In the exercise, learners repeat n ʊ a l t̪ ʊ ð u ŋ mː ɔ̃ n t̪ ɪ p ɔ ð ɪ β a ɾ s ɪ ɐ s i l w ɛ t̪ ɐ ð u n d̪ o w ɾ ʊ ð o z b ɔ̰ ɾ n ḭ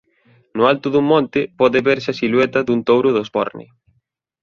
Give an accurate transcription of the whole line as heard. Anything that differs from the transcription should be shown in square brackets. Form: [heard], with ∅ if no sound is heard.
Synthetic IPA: n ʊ a l t̪ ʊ ð u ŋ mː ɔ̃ n t̪ ɪ p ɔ ð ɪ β [e] ɾ s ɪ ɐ s i l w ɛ t̪ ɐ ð u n [t̪] o w ɾ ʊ ð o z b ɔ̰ ɾ n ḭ